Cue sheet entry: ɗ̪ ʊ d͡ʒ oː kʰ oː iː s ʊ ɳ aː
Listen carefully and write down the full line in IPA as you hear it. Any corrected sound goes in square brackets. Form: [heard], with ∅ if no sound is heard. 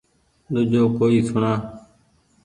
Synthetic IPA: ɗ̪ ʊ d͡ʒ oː [k] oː iː s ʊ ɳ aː